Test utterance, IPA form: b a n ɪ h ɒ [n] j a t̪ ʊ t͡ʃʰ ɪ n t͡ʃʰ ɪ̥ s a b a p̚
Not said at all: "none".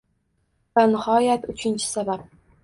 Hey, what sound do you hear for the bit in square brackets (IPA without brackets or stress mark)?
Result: none